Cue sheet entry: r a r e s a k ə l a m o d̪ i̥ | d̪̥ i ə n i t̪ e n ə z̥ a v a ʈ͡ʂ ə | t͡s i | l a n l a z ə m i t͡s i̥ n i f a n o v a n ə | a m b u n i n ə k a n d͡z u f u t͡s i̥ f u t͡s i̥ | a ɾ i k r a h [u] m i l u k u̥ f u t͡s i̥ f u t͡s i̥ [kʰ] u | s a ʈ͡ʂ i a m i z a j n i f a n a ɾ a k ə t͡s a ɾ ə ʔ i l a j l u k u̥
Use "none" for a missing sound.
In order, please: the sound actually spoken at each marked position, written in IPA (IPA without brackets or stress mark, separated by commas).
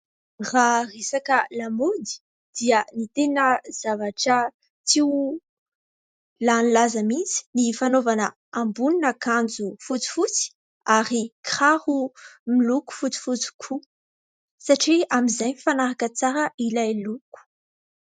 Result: u, kʰ